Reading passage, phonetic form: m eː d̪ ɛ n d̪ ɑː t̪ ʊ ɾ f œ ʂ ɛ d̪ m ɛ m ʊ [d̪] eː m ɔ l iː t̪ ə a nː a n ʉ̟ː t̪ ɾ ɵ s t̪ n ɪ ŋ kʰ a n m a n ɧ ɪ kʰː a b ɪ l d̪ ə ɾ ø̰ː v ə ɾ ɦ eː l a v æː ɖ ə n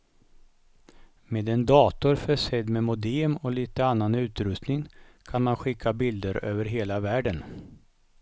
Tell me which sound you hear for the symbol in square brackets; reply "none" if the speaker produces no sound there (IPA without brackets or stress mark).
d̪